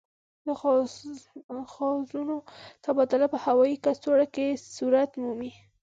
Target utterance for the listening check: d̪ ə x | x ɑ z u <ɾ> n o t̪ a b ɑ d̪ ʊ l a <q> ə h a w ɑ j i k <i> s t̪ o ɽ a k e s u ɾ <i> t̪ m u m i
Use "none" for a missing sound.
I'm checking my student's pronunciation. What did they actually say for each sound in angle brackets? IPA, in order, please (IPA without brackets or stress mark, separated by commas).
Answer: none, p, a, a